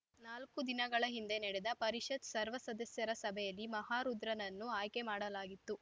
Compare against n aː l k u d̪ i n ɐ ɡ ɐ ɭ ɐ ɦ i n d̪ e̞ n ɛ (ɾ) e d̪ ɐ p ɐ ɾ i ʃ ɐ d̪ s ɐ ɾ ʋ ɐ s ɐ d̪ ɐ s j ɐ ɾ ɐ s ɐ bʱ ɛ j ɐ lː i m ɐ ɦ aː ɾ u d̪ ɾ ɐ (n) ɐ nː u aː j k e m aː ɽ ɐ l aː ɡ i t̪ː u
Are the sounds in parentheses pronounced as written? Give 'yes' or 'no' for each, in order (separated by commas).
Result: no, yes